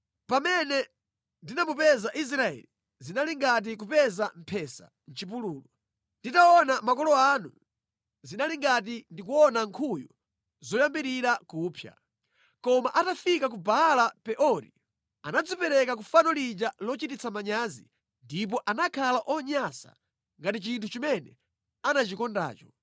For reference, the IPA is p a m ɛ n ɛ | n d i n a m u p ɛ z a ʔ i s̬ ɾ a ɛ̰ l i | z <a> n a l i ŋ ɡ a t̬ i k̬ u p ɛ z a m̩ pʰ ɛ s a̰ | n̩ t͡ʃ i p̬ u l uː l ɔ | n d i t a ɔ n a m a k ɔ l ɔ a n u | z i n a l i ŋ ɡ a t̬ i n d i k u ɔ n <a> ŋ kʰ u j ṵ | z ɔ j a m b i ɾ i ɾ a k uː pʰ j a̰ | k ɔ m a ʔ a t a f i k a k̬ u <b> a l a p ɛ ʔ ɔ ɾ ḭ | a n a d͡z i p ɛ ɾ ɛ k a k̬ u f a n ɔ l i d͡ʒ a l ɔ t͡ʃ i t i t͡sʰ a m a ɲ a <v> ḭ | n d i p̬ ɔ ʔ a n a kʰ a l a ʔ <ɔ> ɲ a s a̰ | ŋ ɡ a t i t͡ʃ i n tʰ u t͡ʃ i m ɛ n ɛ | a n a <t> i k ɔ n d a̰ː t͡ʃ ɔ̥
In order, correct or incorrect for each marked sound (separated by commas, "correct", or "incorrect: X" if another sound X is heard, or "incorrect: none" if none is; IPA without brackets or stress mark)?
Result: incorrect: i, correct, correct, incorrect: z, correct, incorrect: t͡ʃ